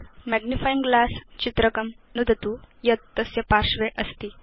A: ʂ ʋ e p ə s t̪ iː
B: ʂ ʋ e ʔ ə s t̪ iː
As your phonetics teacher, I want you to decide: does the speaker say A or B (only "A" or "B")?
B